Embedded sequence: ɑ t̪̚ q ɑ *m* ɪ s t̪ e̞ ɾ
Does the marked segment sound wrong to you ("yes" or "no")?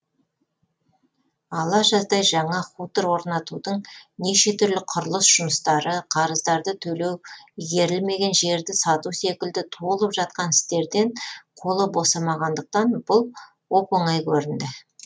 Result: yes